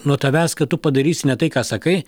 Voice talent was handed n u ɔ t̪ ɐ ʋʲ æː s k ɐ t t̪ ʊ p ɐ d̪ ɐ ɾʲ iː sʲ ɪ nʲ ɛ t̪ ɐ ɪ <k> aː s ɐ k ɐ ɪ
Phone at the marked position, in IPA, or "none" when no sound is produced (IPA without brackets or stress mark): k